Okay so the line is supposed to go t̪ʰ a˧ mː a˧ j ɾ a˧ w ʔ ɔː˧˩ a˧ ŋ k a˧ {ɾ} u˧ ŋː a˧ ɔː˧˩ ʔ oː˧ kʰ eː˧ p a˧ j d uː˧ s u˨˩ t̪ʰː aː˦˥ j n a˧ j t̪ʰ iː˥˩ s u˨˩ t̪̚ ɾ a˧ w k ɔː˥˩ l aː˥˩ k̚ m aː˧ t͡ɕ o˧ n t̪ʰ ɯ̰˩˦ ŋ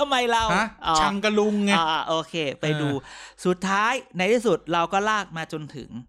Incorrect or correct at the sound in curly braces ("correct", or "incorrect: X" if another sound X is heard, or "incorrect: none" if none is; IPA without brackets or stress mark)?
incorrect: l